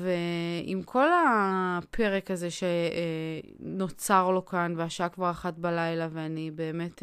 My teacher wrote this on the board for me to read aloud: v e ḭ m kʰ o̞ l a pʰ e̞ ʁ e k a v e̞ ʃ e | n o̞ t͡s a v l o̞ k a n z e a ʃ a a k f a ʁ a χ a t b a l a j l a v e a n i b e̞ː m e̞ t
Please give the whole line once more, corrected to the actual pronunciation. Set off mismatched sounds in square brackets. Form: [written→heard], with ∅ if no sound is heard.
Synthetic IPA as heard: v e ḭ m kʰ o̞ l a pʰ e̞ ʁ e k a [v→z] e̞ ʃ e | n o̞ t͡s a [v→ʁ] l o̞ k a n [z→v] e a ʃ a a k [f→v] a ʁ a χ a t b a l a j l a v e a n i b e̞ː m e̞ t